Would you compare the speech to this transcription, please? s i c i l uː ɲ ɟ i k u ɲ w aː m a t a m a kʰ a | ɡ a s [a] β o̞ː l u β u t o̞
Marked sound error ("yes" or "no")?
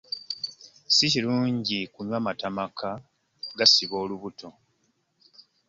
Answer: yes